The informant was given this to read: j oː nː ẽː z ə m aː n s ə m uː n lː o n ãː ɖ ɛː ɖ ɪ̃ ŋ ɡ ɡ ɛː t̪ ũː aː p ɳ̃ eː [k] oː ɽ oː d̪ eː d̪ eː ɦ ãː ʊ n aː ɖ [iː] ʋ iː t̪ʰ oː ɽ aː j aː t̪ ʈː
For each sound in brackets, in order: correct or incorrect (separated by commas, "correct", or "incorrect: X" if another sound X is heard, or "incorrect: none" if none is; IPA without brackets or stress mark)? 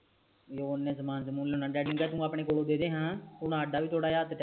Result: correct, incorrect: aː